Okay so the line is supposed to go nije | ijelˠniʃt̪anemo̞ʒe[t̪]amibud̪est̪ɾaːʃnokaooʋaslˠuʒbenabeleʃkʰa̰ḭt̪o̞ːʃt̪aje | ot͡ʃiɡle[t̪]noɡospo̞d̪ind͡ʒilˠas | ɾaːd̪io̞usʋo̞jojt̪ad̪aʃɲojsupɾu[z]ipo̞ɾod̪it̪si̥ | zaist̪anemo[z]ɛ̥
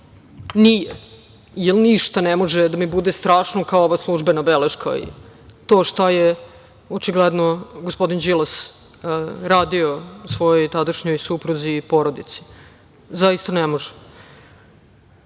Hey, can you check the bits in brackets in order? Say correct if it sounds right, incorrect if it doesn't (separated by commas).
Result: incorrect, incorrect, correct, incorrect